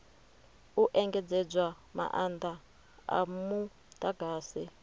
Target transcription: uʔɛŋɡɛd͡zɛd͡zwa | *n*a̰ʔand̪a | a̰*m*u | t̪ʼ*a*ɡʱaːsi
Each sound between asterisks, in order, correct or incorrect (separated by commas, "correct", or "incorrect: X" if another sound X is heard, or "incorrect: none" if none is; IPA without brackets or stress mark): incorrect: m, correct, correct